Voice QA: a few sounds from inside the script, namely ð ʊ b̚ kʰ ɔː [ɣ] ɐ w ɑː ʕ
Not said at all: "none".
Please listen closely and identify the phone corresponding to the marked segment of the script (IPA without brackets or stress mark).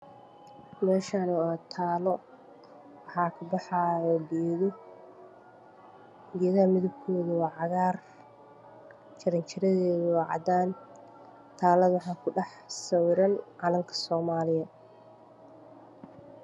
ð